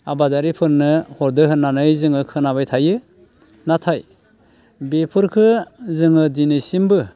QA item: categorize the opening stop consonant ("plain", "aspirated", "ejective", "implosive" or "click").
plain